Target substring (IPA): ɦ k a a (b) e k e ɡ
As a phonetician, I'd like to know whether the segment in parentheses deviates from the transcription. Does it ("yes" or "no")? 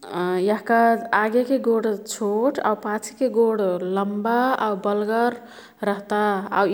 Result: yes